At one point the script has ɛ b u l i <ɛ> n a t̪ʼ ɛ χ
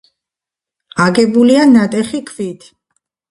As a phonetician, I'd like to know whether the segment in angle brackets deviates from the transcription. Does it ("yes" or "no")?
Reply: yes